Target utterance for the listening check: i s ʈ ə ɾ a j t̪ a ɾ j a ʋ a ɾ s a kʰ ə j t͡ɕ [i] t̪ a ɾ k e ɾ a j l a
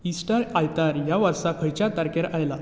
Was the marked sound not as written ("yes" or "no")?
yes